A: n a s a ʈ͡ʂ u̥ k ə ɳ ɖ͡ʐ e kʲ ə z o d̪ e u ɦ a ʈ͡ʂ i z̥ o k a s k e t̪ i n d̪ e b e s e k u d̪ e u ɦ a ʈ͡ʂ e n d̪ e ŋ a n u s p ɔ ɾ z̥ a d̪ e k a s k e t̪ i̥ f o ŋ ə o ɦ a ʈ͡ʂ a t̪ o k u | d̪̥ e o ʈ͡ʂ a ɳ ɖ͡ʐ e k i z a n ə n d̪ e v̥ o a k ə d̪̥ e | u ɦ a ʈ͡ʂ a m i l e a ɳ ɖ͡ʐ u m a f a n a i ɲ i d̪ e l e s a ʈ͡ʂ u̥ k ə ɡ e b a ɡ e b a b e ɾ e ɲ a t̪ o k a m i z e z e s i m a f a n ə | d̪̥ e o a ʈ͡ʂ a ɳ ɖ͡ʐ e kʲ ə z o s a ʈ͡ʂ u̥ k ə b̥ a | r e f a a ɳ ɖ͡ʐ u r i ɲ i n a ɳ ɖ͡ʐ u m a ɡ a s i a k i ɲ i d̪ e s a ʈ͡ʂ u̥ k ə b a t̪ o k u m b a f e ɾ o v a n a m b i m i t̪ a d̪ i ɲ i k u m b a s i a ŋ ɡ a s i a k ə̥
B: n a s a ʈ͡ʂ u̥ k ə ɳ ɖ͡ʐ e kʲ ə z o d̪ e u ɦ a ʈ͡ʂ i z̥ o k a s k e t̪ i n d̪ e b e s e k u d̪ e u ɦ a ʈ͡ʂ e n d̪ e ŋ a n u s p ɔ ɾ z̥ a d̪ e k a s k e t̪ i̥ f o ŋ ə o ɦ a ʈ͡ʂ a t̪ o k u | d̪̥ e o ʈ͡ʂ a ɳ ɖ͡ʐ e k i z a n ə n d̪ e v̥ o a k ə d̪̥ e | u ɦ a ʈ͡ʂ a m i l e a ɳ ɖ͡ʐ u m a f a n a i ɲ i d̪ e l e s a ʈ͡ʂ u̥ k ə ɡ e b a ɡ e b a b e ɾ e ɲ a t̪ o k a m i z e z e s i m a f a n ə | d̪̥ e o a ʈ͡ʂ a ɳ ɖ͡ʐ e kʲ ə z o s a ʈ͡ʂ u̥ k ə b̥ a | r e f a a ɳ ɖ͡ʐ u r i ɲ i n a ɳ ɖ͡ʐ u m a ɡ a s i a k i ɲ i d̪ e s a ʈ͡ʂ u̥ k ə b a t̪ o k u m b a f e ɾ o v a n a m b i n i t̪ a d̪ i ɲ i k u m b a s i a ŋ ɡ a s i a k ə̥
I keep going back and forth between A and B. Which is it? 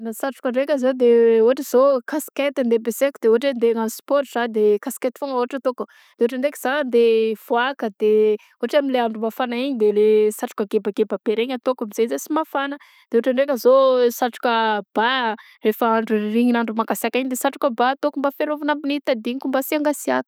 B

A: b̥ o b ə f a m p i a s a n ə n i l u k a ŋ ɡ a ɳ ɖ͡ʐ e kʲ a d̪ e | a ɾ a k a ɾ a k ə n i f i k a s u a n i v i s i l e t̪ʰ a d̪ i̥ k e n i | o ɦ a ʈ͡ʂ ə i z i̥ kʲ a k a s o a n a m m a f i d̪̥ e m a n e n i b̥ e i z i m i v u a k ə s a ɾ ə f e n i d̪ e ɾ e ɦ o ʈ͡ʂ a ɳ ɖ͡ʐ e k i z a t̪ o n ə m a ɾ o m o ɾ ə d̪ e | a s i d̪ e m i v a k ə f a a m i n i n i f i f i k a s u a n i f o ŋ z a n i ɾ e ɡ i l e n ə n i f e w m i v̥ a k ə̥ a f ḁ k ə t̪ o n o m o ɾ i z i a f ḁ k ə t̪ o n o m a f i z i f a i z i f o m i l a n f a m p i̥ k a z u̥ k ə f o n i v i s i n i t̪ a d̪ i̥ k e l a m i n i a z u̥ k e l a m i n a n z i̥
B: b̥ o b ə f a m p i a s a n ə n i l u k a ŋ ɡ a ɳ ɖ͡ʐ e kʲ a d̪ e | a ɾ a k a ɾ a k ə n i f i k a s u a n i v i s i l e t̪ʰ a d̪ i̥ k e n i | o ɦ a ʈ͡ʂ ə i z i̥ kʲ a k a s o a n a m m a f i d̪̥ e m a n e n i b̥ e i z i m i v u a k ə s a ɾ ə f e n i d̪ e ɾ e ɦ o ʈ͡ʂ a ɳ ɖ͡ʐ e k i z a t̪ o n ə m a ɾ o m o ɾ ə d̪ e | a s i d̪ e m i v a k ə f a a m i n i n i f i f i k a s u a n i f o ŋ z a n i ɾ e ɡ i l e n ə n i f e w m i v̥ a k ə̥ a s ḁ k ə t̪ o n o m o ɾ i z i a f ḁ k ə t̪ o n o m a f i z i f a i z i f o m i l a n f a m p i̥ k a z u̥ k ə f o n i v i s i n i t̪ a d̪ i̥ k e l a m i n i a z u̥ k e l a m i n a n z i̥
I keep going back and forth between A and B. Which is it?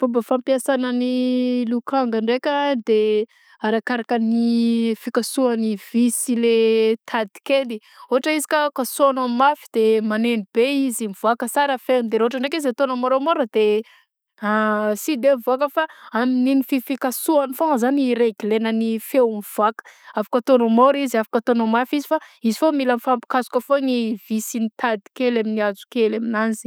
A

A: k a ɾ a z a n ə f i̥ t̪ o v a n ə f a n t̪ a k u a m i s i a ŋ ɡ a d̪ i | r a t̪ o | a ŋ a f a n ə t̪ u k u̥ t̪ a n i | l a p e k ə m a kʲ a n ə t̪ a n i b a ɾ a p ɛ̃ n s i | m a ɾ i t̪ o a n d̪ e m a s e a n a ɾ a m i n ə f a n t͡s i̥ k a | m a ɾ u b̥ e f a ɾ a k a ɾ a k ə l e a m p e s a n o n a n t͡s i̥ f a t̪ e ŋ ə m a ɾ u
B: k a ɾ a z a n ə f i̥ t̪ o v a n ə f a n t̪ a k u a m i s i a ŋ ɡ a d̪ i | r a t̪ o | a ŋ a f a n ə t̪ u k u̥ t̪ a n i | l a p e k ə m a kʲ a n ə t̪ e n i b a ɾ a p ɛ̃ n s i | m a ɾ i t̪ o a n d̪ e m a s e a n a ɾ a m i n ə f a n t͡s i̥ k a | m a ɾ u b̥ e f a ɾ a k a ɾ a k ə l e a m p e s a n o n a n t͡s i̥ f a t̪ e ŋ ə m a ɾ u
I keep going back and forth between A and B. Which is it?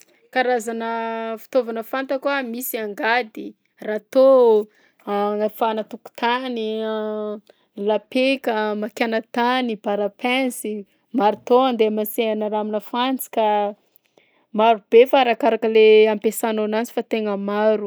A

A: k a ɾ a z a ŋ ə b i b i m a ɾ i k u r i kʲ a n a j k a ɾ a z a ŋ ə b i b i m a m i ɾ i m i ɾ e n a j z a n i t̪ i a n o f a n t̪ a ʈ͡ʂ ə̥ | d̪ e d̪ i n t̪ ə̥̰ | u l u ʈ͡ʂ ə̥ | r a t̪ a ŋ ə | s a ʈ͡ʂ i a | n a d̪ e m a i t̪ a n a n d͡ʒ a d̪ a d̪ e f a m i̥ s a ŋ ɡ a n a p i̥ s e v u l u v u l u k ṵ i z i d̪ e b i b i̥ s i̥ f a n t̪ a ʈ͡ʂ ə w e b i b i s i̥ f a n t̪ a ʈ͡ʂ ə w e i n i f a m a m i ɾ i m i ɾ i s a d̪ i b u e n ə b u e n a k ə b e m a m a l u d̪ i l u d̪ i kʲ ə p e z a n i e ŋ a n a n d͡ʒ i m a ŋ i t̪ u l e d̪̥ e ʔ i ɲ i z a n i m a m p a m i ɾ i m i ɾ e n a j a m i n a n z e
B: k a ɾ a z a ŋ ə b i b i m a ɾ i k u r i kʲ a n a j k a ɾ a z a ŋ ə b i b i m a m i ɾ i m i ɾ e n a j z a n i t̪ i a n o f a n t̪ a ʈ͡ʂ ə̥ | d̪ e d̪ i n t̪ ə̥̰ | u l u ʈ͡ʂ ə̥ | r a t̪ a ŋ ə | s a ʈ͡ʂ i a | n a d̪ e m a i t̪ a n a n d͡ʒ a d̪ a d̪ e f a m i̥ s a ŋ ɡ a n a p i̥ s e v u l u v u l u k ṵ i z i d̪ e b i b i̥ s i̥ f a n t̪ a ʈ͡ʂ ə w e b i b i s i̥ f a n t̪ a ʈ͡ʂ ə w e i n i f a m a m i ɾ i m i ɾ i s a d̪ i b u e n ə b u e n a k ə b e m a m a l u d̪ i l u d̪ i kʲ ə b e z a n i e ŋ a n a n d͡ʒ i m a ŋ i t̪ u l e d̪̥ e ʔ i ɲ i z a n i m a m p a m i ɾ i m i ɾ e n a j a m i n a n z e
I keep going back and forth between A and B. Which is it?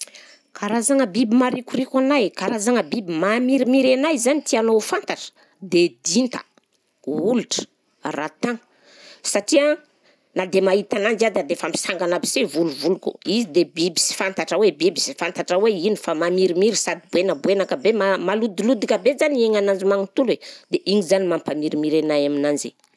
B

